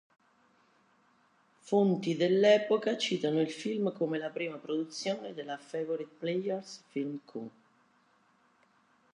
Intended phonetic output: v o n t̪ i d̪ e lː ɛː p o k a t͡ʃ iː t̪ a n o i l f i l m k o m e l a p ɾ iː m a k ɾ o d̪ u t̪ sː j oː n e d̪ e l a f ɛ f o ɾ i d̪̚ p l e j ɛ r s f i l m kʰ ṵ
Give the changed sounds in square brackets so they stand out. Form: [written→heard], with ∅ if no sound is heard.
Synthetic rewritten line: [v→f] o n t̪ i d̪ e lː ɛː p o k a t͡ʃ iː t̪ a n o i l f i l m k o m e l a p ɾ iː m a [k→p] ɾ o d̪ u t̪ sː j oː n e d̪ e l a f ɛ [f→v] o ɾ i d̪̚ p l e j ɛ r s f i l m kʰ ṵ